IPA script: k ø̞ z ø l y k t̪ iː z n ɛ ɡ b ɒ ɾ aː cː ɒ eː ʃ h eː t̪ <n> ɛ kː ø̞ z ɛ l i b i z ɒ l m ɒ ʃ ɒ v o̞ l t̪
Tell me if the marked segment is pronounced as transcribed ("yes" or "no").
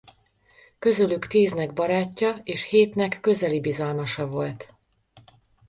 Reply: yes